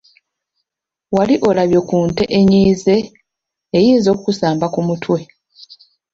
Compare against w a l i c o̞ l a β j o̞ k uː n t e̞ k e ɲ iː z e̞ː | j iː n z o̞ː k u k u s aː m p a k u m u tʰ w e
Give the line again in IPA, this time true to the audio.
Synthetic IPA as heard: w a l i ʔ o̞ l a β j o̞ k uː n t e̞ ʔ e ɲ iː z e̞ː | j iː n z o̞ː k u k u s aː m b a k u m u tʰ w e